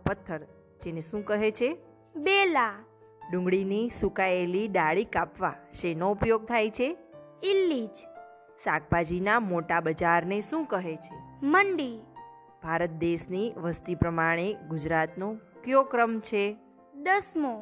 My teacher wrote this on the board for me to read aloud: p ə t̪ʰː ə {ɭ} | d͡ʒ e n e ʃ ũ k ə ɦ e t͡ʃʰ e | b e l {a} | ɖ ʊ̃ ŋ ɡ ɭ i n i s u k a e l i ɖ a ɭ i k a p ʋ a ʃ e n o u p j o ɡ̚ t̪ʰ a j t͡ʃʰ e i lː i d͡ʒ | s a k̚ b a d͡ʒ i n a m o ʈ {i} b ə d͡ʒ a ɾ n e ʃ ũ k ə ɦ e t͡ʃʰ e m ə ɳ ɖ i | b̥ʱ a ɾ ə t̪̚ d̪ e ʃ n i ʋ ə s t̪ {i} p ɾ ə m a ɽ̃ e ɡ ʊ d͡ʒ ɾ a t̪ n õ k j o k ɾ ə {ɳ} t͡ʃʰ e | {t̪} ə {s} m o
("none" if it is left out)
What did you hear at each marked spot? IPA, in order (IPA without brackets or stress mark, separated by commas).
ɾ, a, a, i, m, d̪, s